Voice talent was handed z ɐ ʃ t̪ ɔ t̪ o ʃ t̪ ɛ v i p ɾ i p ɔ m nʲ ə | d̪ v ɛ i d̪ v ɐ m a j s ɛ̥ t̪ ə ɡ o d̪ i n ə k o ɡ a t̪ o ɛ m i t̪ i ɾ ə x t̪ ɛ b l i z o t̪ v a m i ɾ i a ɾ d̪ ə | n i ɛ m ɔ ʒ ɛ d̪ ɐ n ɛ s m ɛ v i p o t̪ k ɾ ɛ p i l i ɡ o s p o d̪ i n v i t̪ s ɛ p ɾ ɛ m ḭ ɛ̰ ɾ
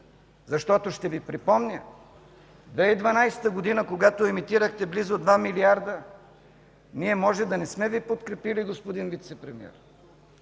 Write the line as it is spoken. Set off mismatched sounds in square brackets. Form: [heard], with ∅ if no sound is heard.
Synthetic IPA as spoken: z ɐ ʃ t̪ ɔ t̪ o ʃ t̪ ɛ v i p ɾ i p ɔ m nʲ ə | d̪ v ɛ i d̪ v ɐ [n] a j s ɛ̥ t̪ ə ɡ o d̪ i n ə k o ɡ a t̪ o ɛ m i t̪ i ɾ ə x t̪ ɛ b l i z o [d̪] v a m i [l] i a ɾ d̪ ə | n i ɛ m ɔ ʒ ɛ d̪ ɐ n ɛ s m ɛ v i p o t̪ k ɾ ɛ p i l i ɡ o s p o d̪ i n v i t̪ s ɛ p ɾ ɛ m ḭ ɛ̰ ɾ